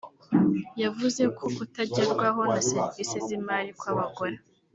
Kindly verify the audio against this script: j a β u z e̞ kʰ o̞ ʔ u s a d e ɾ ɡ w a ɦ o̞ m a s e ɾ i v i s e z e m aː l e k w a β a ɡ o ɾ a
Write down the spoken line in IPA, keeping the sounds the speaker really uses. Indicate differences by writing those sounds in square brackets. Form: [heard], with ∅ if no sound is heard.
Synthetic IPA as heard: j a [v] u z e̞ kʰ o̞ [k] u [t] a [ɟ] e ɾ ɡ w a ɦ o̞ [n] a s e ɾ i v i s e z [i] m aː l [i] k w a β a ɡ o ɾ a